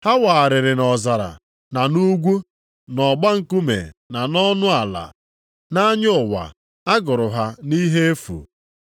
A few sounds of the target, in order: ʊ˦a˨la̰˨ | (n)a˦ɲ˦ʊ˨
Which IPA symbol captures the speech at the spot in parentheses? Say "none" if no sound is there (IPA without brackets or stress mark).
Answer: n